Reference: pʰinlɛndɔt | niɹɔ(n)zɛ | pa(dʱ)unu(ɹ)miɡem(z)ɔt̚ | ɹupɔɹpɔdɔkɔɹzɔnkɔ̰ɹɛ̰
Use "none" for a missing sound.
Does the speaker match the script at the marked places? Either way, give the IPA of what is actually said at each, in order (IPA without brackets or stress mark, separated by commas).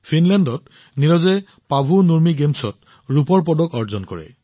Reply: none, bʱ, ɹ, s